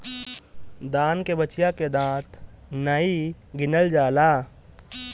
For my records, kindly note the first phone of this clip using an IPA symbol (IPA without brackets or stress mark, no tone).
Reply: d̪